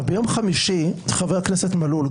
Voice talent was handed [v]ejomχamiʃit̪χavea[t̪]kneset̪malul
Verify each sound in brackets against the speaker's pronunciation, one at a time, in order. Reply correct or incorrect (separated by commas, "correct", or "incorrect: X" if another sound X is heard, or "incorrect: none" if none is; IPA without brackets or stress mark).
incorrect: b, incorrect: none